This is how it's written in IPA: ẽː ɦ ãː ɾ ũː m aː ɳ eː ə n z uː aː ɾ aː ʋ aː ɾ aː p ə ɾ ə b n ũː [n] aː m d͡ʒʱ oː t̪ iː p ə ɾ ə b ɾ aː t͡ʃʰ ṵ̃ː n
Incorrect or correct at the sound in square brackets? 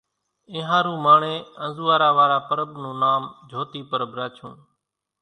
correct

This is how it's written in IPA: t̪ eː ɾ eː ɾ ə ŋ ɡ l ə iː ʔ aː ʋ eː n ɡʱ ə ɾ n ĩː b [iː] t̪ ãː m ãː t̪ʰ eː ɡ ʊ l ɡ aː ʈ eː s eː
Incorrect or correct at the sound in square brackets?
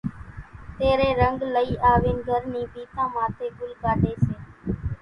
correct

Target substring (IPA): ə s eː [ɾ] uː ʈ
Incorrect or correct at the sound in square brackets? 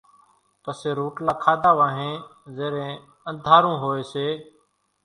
correct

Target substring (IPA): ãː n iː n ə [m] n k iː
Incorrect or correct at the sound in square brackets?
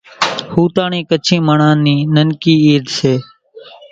incorrect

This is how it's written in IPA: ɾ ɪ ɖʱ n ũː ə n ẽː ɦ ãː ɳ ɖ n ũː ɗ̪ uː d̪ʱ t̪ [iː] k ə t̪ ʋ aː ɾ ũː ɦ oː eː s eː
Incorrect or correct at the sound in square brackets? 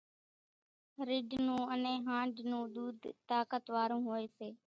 incorrect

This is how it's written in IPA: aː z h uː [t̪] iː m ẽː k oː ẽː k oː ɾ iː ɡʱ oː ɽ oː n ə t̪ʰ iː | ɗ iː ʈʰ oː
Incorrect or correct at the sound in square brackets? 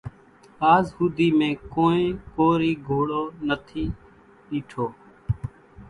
incorrect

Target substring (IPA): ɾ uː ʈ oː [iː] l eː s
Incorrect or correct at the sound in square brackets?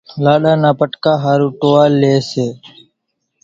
incorrect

